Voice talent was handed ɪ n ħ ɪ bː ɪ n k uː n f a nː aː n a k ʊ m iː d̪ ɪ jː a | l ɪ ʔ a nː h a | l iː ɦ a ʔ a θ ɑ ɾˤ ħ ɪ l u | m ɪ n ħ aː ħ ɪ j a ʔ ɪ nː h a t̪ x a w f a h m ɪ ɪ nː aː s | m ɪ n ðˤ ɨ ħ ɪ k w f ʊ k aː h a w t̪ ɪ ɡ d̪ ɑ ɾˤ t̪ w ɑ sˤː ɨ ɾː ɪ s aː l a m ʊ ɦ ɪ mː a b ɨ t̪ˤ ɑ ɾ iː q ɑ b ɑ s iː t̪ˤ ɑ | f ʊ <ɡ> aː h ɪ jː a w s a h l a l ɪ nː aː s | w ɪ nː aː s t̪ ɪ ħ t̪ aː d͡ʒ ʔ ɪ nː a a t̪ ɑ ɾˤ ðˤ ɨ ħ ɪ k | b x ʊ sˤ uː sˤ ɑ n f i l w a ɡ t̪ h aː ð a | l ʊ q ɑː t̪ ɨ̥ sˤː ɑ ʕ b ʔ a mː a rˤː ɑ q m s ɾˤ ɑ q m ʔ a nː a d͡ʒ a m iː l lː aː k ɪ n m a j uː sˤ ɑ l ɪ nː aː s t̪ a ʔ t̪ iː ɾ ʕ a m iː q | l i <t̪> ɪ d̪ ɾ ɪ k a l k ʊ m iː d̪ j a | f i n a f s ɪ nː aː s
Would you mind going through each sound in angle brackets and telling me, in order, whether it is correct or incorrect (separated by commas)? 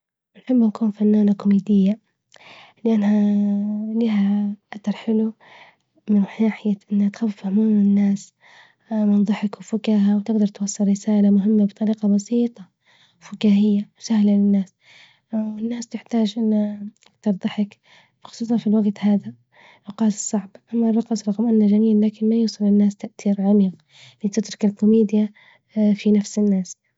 incorrect, correct